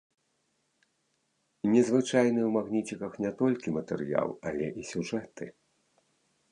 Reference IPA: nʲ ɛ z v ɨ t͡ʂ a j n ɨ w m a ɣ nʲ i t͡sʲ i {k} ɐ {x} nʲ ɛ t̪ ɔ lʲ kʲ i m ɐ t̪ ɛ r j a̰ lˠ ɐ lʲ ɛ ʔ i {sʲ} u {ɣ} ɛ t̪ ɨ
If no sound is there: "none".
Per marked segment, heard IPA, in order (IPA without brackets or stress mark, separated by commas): k, x, sʲ, ʐ